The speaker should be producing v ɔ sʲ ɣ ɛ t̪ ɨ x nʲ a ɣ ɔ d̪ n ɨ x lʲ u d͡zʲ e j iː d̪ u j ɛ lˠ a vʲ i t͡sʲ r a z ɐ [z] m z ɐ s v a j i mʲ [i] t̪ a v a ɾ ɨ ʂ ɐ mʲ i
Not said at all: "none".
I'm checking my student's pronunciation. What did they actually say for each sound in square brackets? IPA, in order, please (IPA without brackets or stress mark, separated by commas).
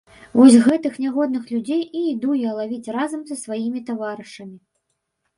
none, i